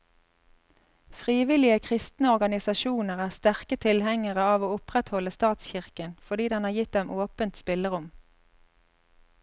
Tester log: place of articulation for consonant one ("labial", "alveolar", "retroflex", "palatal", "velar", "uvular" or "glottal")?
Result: labial